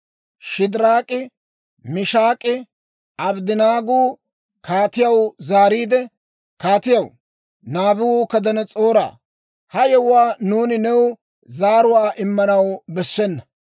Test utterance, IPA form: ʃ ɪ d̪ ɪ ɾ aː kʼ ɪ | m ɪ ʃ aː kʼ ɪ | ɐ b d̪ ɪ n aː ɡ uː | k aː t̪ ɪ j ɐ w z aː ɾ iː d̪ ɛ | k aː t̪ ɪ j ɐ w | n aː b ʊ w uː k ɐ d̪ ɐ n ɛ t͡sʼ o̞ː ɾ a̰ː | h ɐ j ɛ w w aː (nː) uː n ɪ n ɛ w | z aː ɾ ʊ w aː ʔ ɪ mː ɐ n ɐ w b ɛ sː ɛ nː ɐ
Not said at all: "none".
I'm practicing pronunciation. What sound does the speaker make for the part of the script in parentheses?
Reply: n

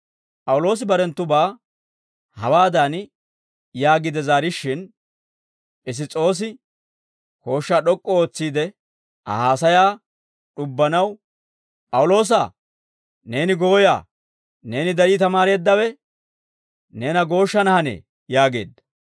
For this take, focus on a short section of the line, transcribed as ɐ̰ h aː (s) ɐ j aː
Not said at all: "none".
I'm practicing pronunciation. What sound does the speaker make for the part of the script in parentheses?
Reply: s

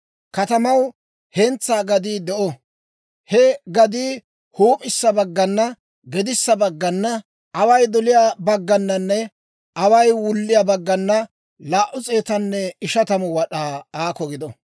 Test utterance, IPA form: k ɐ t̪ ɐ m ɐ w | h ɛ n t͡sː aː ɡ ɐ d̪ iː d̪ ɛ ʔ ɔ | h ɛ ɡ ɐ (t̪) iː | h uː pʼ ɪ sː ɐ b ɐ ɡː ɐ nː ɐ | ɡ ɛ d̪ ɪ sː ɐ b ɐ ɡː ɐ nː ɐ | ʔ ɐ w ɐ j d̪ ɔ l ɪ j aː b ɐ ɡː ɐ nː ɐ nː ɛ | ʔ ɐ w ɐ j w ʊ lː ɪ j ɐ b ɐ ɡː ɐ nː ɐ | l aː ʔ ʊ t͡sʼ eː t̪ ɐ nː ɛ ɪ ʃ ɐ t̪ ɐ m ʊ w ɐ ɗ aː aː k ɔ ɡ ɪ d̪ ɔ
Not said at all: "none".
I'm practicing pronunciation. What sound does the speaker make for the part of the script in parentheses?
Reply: d̪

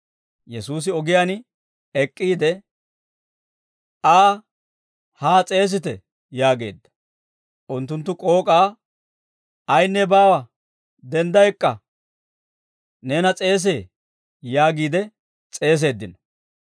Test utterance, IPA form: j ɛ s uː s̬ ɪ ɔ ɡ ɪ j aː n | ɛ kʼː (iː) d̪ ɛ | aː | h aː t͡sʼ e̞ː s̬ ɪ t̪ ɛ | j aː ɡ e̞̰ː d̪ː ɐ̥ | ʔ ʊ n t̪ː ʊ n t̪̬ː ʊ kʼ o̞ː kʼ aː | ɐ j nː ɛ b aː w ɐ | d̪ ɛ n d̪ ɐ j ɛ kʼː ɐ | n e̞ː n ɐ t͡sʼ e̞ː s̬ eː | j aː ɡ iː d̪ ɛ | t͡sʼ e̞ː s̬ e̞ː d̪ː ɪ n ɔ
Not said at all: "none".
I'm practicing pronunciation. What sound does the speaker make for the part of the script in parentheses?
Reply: iː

